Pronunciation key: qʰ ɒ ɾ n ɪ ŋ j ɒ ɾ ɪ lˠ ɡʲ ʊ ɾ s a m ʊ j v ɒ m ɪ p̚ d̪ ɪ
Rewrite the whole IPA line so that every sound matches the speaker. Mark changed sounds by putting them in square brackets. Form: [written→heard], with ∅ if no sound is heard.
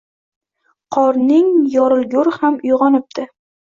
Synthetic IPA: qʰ ɒ ɾ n ɪ ŋ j ɒ ɾ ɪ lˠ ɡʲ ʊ ɾ [s→h] a m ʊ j [v→ʁ] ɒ [m→n] ɪ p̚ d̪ ɪ

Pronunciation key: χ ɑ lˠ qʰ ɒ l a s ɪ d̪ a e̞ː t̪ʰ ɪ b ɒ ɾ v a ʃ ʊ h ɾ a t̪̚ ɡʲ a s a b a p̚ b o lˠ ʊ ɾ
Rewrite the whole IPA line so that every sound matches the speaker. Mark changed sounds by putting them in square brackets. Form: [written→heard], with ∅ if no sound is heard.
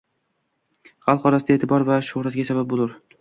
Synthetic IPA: χ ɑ lˠ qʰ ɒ [l→ɾ] a s ɪ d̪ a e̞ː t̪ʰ ɪ b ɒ ɾ v a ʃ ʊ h ɾ a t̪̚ ɡʲ a s a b a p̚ b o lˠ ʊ ɾ

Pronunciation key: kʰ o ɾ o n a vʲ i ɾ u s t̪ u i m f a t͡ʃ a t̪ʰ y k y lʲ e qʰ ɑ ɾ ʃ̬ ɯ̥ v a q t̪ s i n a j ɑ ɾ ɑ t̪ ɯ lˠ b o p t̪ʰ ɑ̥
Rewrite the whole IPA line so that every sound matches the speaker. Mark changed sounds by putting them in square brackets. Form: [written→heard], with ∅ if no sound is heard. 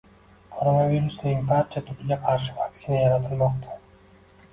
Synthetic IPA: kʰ o ɾ o n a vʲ i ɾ u s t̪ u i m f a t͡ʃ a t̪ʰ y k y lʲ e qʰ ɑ ɾ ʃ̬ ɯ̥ v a [q→k] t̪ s i n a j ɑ ɾ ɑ t̪ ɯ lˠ [b→m] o [p→q] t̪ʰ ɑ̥

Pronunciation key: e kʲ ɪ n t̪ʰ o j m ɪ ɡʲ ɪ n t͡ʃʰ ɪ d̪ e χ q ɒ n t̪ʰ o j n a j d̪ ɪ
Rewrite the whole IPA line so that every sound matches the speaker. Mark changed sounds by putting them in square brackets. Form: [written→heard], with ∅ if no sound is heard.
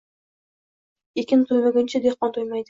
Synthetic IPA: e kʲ ɪ n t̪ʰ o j m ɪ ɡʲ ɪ n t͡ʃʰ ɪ d̪ e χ q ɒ n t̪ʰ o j [n→m] a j d̪ ɪ

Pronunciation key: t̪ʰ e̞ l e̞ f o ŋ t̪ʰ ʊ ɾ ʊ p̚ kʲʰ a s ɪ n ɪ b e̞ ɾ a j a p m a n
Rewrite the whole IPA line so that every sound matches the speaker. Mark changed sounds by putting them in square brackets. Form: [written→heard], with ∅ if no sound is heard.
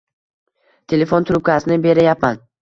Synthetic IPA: t̪ʰ e̞ l e̞ f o [ŋ→n] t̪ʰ ʊ ɾ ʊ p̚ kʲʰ a s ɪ n ɪ b e̞ ɾ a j a p m a n

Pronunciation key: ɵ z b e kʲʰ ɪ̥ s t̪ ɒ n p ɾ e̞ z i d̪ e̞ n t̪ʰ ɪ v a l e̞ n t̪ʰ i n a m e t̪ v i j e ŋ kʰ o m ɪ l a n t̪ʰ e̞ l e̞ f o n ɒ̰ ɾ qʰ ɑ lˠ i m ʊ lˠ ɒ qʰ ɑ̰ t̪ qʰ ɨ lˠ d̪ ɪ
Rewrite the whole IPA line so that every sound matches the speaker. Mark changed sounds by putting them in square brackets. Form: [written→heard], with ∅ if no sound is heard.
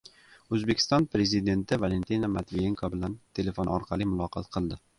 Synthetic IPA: ɵ z b e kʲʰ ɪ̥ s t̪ ɒ n p ɾ e̞ z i d̪ e̞ n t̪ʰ ɪ v a l e̞ n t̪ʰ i n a m [e→a] t̪ v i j e ŋ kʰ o [m→b] ɪ l a n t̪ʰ e̞ l e̞ f o n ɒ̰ ɾ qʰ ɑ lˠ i m ʊ lˠ ɒ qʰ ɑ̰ t̪ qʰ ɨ lˠ d̪ ɪ

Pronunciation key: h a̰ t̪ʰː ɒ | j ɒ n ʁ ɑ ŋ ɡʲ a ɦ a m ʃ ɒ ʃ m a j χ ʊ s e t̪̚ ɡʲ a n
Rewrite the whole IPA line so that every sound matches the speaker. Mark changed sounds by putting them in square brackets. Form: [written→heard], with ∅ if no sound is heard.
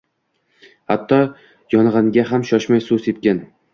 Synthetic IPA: h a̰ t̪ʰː ɒ | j ɒ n ʁ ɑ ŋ ɡʲ a ɦ a m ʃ ɒ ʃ m a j [χ→s] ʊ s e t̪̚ [ɡʲ→kʲ] a n

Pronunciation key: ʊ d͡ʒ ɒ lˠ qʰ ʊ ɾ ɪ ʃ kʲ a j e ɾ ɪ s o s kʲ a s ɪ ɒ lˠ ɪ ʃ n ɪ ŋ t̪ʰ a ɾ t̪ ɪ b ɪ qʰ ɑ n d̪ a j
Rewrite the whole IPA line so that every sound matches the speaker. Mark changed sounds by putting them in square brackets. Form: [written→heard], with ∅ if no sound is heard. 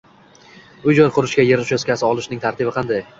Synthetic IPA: ʊ d͡ʒ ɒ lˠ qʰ ʊ ɾ ɪ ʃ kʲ a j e ɾ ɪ [s→ʃ] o s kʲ a s ɪ ɒ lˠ ɪ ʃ n ɪ ŋ t̪ʰ a ɾ t̪ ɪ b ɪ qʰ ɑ n d̪ a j

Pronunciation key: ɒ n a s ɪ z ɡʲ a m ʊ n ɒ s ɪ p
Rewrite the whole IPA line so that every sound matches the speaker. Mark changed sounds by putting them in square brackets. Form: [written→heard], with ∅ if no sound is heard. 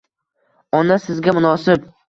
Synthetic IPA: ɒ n a s ɪ z ɡʲ a m ʊ n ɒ s ɪ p

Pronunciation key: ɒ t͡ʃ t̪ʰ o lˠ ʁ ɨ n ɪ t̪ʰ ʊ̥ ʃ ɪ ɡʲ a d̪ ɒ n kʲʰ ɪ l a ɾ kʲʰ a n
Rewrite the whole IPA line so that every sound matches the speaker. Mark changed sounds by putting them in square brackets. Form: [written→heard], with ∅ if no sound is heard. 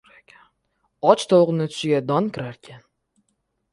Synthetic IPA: ɒ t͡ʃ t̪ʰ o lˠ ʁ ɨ n ɪ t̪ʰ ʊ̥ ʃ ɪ ɡʲ a d̪ ɒ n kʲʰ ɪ [l→ɾ] a ɾ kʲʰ a n

